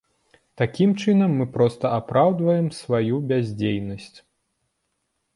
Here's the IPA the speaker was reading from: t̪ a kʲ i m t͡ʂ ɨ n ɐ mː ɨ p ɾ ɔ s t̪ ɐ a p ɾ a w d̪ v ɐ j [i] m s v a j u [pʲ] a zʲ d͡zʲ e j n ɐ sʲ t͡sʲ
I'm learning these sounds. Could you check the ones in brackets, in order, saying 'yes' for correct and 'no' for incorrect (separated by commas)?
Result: no, no